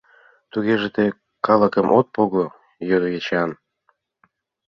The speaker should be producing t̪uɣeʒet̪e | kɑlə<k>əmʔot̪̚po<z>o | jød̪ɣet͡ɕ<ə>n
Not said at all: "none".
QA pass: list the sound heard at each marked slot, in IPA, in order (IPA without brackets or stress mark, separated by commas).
k, ɣ, ɑ